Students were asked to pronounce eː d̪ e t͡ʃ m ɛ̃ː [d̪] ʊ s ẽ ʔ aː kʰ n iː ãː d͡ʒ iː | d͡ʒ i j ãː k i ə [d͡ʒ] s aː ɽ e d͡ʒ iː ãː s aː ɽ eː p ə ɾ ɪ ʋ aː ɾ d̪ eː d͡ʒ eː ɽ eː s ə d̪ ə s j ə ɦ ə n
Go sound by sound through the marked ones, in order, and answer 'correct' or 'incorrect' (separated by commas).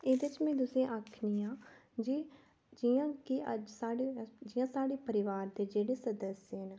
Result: correct, correct